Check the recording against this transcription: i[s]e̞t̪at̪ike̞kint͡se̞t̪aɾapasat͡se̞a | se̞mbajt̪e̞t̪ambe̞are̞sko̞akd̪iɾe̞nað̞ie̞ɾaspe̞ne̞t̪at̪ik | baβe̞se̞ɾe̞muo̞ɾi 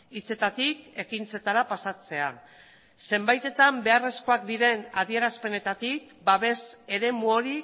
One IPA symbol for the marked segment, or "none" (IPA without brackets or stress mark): t͡s